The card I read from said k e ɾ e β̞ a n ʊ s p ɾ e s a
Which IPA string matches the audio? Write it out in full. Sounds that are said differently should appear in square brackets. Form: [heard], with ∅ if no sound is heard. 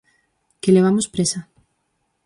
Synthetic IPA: k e [l] e β̞ a [m] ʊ s p ɾ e s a